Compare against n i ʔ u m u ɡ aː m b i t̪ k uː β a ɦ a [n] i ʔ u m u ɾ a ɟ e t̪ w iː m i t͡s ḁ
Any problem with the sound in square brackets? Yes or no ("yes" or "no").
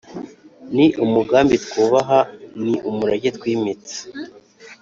no